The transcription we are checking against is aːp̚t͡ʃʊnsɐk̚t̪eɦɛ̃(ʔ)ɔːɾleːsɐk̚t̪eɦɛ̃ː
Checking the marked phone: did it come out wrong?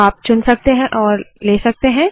no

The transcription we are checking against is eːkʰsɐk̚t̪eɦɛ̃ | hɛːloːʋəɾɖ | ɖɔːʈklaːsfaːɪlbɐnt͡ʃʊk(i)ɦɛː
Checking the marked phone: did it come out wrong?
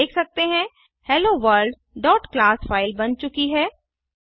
no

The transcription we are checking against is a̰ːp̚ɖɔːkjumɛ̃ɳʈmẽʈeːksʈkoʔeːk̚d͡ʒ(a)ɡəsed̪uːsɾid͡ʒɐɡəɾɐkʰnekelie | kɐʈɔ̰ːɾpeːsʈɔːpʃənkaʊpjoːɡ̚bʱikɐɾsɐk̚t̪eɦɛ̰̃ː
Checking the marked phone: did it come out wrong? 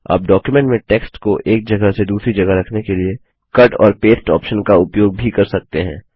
yes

